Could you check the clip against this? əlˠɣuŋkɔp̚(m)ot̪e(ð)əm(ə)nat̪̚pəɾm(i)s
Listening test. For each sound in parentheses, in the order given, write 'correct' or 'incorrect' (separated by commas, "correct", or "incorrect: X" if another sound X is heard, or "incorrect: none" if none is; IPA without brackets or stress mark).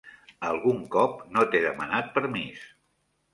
incorrect: n, correct, correct, correct